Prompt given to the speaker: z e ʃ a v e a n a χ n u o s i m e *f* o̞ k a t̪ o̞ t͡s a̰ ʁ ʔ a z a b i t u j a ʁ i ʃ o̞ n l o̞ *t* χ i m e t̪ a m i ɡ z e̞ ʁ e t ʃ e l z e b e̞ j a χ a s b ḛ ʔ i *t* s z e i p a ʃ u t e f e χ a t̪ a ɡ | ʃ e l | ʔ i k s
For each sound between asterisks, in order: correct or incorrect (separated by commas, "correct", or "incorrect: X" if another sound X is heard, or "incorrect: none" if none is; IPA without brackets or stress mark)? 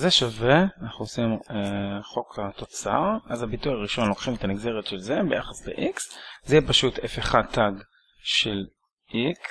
incorrect: χ, incorrect: k, incorrect: k